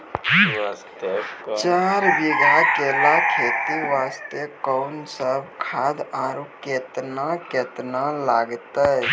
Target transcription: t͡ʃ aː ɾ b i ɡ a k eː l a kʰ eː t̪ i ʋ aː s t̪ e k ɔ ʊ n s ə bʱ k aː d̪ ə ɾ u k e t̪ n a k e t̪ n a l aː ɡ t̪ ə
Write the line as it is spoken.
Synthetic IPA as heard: t͡ʃ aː ɾ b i ɡ a k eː l a kʰ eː t̪ i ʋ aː s t̪ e k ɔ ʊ n s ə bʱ kʰ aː d̪ a ɾ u k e t̪ n a k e t̪ n a l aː ɡ t̪ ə